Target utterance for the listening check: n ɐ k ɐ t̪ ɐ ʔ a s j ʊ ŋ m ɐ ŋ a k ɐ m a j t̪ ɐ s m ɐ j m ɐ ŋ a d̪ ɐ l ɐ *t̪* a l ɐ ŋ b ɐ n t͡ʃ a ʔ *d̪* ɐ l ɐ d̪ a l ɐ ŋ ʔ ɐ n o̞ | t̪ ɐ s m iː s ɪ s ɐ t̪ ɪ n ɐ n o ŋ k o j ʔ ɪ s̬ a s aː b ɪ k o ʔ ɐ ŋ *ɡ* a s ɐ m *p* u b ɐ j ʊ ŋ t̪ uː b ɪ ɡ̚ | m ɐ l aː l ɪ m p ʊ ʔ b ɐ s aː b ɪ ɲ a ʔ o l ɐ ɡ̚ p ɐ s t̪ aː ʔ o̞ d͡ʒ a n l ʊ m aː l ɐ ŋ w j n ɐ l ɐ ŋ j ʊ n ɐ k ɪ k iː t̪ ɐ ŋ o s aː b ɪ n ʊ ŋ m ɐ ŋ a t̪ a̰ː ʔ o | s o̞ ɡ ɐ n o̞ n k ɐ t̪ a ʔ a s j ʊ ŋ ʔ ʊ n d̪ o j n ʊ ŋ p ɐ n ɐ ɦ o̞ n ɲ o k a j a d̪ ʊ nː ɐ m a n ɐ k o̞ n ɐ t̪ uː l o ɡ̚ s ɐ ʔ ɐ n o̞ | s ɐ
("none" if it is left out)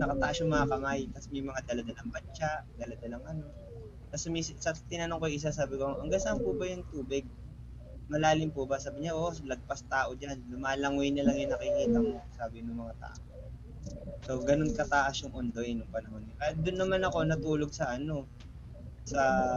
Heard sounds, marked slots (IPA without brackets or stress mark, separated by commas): d̪, d̪, ɡ, p